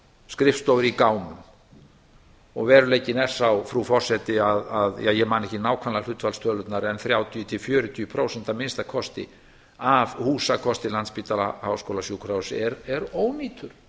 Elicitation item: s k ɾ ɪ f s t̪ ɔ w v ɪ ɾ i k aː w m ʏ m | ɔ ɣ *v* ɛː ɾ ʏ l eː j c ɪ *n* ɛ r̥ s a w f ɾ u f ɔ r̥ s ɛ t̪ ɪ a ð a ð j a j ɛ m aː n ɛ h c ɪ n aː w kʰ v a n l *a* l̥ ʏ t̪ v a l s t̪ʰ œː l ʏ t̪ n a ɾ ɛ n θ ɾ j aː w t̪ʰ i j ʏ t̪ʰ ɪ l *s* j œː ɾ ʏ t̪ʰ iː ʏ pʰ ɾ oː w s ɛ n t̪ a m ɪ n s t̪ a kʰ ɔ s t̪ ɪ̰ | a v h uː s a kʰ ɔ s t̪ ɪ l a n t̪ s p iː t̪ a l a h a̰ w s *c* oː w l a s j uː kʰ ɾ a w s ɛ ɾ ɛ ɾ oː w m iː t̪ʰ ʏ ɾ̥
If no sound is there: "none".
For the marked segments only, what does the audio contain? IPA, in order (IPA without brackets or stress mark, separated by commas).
v, n, a, f, k